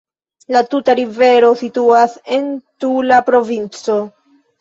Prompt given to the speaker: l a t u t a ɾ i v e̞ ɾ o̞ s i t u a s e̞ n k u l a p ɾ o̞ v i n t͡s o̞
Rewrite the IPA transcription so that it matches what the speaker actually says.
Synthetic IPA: l a t u t a ɾ i v e̞ ɾ o̞ s i t u a s e̞ n t u l a p ɾ o̞ v i n t͡s o̞